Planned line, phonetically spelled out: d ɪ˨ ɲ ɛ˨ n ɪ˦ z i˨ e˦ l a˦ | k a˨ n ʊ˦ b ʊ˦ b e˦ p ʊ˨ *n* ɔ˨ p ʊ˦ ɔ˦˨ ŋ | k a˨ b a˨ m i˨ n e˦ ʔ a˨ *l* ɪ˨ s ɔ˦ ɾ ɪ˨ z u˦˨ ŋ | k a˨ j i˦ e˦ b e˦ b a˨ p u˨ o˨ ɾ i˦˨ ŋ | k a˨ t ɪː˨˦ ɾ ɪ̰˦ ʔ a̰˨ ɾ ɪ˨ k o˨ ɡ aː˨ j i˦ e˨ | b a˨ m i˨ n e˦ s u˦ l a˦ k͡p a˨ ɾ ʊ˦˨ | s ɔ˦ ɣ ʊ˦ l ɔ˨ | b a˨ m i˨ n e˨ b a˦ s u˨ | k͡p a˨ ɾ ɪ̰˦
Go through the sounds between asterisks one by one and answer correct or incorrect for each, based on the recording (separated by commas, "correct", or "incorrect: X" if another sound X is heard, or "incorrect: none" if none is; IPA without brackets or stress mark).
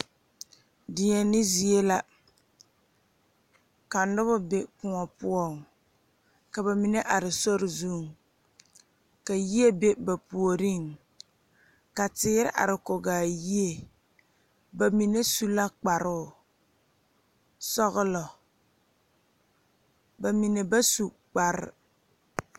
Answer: incorrect: ŋ, incorrect: ɾ